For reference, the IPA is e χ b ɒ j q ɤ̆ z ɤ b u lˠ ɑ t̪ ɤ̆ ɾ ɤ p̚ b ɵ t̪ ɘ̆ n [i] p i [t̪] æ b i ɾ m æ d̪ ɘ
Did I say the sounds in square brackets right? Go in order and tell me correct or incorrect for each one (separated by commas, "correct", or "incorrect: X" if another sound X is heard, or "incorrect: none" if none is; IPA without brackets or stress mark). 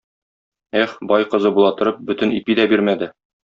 correct, incorrect: d̪